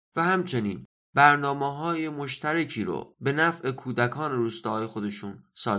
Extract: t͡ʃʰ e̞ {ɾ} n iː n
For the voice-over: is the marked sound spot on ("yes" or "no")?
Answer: no